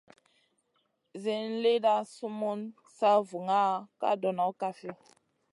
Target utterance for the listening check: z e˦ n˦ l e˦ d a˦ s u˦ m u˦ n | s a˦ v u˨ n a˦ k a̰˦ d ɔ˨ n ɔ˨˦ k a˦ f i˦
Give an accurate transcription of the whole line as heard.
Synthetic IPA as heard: z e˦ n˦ l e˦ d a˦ s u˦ m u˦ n | s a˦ v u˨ ŋ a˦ k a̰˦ d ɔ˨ n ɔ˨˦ k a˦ f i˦